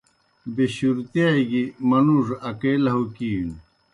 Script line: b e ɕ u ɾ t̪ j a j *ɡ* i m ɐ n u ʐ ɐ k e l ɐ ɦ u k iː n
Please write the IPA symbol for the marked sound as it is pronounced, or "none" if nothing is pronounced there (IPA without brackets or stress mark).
ɡ